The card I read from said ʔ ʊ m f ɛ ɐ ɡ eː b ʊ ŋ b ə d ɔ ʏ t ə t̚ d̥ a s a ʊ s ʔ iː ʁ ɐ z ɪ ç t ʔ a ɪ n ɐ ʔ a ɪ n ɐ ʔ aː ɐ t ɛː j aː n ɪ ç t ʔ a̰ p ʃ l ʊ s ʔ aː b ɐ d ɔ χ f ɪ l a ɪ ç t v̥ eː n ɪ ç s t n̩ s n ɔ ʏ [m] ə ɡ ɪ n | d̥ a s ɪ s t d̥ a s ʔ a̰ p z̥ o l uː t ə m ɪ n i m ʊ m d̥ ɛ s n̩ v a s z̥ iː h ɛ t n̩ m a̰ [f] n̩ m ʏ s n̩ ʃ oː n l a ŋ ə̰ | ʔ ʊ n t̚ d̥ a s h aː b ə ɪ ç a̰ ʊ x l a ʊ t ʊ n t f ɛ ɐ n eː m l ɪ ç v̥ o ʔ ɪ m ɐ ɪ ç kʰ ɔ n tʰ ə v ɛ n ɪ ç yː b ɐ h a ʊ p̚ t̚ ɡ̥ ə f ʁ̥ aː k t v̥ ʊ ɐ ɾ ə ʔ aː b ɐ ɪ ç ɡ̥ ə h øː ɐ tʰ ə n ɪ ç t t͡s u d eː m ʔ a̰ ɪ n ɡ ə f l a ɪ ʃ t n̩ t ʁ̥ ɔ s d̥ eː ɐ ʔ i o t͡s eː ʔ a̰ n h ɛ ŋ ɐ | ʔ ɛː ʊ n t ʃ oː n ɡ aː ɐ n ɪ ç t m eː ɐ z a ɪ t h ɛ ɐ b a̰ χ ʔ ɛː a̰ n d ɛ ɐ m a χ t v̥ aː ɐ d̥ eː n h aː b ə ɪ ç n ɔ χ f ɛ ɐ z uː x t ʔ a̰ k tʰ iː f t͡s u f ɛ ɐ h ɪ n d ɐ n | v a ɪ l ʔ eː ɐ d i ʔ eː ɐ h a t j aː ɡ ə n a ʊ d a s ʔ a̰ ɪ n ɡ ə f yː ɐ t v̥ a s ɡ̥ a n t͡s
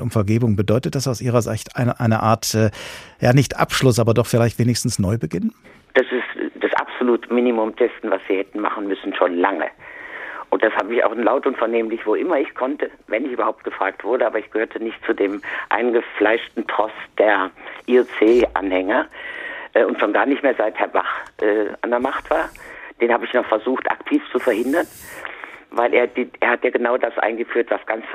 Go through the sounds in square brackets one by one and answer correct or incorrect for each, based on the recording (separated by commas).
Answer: incorrect, incorrect